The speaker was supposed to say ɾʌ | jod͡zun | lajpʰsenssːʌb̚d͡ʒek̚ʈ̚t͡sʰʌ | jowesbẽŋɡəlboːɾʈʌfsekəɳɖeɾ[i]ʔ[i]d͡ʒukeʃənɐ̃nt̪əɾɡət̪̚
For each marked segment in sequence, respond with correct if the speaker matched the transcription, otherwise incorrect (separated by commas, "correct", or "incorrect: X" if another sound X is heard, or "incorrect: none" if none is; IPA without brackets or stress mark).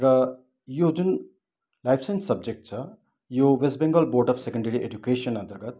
correct, incorrect: e